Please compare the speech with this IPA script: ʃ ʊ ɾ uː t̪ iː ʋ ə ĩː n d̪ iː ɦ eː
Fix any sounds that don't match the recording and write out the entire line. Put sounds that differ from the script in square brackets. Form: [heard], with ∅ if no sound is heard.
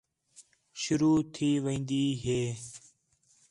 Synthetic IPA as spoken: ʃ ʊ ɾ uː [t̪ʰ] iː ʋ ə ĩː n d̪ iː ɦ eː